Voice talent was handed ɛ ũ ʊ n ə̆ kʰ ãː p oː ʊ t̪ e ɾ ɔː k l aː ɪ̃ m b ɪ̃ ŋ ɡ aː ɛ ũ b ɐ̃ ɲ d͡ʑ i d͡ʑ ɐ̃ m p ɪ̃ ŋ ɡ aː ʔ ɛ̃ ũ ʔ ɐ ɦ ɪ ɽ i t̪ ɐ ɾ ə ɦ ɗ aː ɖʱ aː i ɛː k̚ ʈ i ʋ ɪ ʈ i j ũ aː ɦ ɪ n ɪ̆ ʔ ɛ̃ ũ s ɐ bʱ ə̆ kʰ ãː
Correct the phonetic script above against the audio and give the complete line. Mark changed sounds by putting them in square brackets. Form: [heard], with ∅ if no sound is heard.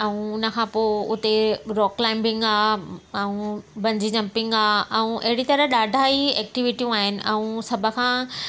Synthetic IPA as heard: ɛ ũ ʊ n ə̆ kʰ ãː p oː ʊ t̪ e ɾ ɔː k l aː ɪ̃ m b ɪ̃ ŋ ɡ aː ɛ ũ b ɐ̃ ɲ d͡ʑ i d͡ʑ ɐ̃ m p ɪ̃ ŋ ɡ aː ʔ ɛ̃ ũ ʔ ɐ ɦ ɪ ɽ i t̪ ɐ ɾ ə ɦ ɗ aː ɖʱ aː i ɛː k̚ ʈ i ʋ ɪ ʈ i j ũ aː ɦ ɪ n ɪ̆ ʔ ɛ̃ ũ s ɐ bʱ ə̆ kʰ ãː